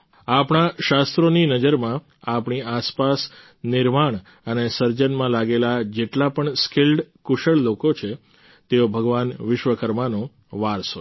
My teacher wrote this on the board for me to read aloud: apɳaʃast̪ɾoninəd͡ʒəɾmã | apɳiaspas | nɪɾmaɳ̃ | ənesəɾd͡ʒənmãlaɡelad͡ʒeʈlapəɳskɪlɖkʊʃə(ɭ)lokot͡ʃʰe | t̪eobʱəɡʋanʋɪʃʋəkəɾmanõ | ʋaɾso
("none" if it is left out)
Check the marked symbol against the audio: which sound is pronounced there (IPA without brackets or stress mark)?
ɭ